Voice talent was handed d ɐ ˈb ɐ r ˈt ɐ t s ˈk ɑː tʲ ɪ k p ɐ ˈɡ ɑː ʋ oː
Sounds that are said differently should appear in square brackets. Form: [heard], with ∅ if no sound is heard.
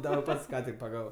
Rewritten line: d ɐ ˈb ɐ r [ˈp] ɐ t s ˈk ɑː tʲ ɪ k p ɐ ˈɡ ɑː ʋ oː